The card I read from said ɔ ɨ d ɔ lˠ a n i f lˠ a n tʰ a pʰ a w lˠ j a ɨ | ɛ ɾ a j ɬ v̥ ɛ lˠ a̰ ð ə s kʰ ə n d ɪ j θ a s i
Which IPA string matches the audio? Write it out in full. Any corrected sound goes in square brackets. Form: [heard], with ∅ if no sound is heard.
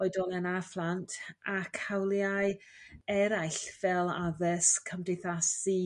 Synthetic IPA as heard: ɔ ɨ d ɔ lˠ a n [a] f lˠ a n tʰ a [kʰ] a w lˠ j a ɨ | ɛ ɾ a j ɬ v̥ ɛ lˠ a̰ ð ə s kʰ ə [m] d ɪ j θ a s i